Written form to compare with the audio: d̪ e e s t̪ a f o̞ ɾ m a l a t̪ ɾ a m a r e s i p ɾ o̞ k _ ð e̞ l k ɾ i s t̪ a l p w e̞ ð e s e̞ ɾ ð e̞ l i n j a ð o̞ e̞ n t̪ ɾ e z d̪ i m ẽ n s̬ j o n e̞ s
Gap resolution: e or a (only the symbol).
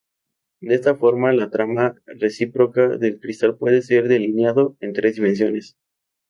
a